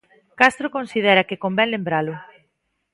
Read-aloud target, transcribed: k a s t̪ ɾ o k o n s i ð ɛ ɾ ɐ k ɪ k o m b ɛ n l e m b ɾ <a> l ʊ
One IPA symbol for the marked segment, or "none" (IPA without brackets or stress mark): a